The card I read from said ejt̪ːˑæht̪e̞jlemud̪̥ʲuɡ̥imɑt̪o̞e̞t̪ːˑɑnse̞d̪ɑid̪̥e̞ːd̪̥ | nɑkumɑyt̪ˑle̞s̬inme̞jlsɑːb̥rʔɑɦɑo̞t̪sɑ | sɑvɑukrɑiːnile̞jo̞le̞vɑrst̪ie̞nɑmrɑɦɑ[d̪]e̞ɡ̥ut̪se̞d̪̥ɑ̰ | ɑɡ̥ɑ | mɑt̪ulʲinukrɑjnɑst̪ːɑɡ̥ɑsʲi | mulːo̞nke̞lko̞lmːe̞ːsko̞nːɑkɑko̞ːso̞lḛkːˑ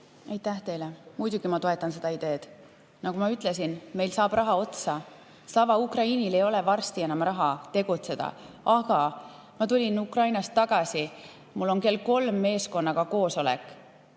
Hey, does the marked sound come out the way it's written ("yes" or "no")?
no